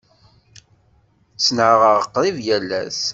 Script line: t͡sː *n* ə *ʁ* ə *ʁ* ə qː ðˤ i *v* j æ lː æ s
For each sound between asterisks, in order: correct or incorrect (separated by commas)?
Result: correct, correct, correct, correct